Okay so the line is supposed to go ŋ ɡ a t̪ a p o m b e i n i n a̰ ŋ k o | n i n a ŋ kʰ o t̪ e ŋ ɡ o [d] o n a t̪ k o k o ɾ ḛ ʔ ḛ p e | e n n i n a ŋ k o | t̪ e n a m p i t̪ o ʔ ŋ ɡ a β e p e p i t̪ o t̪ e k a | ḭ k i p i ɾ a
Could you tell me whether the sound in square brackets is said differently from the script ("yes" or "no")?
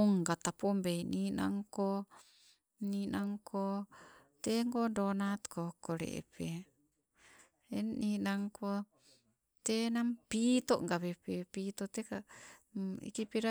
no